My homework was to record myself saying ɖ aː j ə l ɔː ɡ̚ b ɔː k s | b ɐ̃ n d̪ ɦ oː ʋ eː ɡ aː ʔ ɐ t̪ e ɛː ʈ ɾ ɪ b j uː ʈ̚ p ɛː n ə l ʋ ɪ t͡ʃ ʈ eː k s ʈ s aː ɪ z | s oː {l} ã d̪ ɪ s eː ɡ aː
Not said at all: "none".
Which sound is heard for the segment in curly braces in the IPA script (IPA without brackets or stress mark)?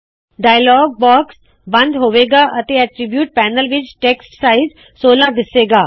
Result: l